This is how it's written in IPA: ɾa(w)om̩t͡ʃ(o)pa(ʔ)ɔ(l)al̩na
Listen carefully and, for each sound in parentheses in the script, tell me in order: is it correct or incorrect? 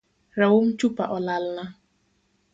correct, incorrect: u, correct, correct

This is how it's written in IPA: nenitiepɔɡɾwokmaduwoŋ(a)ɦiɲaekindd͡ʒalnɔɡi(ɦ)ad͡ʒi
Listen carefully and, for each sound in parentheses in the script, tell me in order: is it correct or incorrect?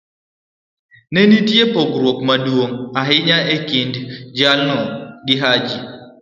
correct, correct

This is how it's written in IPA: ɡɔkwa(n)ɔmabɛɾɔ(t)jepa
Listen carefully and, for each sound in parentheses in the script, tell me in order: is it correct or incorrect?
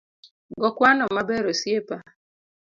correct, incorrect: s

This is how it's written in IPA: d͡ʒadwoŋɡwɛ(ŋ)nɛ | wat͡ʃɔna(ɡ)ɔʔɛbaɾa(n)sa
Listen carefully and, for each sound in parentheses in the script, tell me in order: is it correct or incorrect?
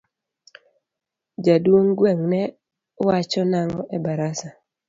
correct, incorrect: ŋ, incorrect: none

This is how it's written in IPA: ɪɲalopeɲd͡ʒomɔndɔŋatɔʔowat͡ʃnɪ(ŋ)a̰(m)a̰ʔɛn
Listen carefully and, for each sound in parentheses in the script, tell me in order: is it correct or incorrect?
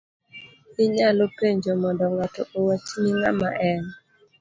correct, correct

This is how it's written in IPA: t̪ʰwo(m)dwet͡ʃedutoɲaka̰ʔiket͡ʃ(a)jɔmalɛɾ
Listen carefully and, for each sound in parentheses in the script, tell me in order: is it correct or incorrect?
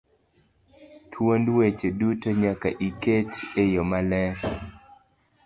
incorrect: n, incorrect: e

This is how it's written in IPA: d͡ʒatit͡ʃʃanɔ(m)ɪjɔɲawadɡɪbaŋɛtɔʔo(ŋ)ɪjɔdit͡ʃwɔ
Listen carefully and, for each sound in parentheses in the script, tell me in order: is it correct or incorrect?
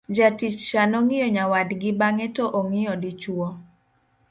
incorrect: ŋ, correct

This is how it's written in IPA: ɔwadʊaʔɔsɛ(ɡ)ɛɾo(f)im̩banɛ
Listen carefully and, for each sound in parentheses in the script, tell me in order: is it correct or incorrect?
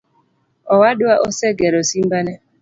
correct, incorrect: s

